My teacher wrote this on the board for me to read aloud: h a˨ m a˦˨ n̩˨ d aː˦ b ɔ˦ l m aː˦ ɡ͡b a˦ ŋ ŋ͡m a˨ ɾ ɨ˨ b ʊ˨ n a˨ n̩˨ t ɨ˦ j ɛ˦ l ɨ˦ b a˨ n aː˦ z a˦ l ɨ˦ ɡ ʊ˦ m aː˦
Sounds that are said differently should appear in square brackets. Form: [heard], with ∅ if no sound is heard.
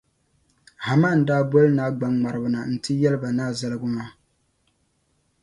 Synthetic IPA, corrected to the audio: h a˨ m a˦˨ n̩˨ d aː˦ b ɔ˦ l [n] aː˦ ɡ͡b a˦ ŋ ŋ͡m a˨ ɾ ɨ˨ b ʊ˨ n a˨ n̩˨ t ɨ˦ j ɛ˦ l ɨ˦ b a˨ n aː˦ z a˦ l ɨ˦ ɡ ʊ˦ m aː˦